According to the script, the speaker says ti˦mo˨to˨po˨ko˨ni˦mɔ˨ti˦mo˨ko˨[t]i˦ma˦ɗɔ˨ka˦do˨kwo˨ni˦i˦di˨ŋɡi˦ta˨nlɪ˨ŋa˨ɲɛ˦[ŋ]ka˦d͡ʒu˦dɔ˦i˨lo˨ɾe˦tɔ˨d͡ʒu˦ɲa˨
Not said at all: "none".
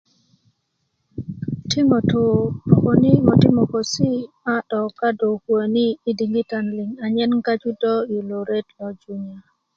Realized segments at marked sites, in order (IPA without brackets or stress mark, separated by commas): s, n